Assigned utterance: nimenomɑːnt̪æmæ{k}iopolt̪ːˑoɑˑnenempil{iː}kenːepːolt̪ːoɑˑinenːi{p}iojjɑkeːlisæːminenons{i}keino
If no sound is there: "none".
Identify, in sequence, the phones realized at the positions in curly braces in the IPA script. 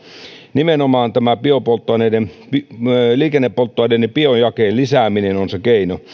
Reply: p, iː, p, e

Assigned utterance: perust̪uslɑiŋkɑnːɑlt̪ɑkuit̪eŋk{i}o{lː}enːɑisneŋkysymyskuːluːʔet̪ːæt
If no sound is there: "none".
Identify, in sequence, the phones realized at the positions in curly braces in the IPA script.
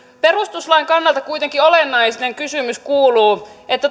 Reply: i, l

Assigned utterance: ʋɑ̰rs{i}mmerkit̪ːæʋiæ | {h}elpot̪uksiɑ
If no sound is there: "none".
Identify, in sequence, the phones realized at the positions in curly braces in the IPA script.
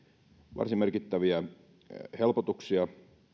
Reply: i, h

